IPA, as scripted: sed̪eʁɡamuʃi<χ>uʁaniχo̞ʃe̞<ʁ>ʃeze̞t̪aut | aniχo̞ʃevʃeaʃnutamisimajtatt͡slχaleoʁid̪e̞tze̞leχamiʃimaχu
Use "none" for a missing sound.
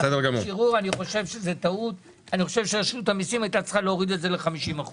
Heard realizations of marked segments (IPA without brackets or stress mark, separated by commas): ʁ, v